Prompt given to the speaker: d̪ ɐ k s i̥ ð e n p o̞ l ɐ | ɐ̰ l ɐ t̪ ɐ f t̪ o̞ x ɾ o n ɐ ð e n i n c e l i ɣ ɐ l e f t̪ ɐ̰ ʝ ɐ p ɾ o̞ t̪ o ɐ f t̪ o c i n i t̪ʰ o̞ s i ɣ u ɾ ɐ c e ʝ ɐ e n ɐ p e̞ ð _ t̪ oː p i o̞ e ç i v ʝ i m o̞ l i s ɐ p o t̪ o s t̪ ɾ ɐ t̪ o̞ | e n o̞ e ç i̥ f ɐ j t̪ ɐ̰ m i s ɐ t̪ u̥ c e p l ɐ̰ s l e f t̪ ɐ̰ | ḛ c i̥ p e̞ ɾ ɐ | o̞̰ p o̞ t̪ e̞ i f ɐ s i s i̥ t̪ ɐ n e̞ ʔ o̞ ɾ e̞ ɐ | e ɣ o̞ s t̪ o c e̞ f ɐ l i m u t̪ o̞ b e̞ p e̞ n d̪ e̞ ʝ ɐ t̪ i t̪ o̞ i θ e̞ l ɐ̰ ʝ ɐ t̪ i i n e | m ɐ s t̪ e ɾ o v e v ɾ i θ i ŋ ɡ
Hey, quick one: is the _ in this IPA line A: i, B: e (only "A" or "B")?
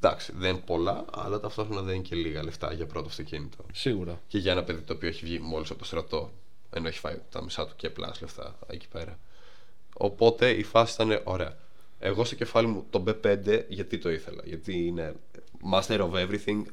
A